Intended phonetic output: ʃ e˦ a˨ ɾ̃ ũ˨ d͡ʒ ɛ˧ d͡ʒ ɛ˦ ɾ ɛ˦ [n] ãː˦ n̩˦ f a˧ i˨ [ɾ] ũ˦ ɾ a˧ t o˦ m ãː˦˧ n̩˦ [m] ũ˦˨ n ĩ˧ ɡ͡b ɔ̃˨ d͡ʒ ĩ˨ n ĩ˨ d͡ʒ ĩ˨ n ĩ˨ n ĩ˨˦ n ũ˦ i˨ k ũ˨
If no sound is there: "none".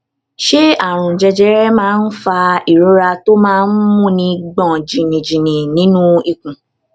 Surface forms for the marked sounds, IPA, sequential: m, ɾ, m

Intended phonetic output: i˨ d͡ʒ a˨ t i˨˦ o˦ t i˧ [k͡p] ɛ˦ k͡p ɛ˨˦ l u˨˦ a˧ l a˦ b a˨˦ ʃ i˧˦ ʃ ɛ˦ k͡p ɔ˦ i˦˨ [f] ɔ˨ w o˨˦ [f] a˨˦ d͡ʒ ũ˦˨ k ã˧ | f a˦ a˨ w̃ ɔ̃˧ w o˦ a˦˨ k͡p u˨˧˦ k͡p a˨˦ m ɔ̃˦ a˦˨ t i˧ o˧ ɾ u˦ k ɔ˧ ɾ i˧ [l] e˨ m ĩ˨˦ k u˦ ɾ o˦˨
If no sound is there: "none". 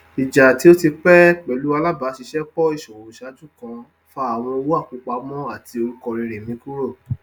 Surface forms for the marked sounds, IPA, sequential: k͡p, ʃ, ʃ, ɾ

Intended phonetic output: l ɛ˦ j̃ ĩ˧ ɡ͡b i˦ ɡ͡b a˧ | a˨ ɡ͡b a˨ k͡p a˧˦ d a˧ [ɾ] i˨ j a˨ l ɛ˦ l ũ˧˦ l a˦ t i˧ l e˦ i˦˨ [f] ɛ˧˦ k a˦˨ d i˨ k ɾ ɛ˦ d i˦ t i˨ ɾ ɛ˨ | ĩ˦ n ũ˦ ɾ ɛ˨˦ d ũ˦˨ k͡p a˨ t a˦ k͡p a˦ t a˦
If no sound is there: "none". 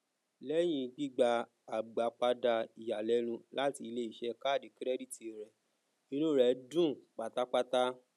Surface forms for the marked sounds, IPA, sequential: none, ʃ

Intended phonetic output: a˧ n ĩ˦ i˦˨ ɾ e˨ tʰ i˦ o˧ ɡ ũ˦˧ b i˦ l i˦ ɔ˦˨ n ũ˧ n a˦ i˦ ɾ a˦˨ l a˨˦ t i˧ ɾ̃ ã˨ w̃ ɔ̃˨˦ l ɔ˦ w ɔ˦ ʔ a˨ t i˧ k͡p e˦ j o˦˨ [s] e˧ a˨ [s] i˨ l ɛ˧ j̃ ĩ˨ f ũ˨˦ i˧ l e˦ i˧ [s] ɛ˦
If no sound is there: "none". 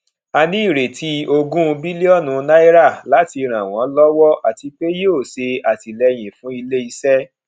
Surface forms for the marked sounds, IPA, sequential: s, t, s

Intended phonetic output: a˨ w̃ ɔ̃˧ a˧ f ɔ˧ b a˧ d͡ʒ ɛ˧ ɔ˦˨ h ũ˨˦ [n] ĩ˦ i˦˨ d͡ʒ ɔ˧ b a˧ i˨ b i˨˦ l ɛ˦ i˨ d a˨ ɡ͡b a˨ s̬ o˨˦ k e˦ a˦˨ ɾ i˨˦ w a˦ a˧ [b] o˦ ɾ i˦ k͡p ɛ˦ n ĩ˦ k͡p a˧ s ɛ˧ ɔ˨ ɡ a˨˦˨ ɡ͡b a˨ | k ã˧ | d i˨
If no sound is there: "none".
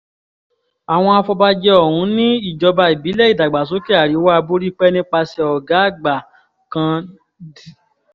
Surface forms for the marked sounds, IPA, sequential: n, b

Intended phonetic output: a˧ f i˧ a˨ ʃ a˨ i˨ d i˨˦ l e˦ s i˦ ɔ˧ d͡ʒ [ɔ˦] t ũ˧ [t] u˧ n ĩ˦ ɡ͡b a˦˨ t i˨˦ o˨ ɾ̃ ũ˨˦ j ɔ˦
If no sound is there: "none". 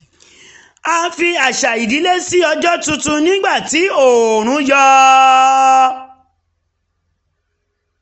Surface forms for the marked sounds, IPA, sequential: ɔ˦, t

